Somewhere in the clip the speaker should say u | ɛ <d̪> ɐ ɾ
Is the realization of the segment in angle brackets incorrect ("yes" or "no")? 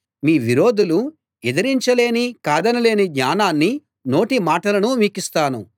no